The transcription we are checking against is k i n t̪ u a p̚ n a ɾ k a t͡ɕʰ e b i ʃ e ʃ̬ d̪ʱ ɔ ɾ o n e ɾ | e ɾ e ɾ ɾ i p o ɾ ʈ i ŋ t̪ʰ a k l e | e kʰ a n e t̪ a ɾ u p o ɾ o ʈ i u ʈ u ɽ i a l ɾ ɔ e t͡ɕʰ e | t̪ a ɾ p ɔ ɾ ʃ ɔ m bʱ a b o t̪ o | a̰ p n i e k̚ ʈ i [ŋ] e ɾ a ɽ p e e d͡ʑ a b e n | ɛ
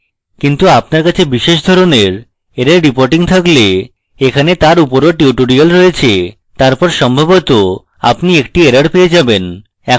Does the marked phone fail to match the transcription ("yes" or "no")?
yes